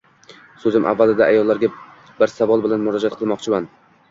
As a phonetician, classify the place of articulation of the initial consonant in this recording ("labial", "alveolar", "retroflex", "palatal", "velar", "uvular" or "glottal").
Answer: alveolar